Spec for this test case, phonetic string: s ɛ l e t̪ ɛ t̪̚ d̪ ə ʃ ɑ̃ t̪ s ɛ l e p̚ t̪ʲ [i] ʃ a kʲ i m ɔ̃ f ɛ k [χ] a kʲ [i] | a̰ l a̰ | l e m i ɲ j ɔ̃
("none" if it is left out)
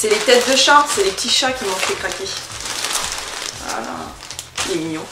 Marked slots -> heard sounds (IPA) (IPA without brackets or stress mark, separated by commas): i, χ, e